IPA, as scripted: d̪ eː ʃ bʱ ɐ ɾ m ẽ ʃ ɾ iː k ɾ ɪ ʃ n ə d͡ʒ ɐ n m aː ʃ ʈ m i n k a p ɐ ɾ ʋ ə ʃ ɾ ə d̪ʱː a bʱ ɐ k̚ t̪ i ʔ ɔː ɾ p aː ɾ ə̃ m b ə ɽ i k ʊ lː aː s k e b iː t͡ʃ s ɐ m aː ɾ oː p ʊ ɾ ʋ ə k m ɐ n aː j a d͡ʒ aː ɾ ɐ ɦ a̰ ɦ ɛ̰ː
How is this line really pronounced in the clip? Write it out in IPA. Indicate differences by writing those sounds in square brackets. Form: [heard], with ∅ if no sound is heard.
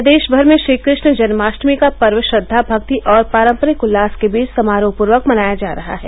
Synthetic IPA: d̪ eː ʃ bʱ ɐ ɾ m ẽ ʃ ɾ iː k ɾ ɪ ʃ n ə d͡ʒ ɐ n m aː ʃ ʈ m i [∅] k a p ɐ ɾ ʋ ə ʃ ɾ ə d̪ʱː a bʱ ɐ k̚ t̪ i ʔ ɔː ɾ p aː ɾ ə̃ m [p] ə [ɾ] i k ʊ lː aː s k e b iː t͡ʃ s ɐ m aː ɾ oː p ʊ ɾ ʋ ə k m ɐ n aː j a d͡ʒ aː ɾ ɐ ɦ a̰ ɦ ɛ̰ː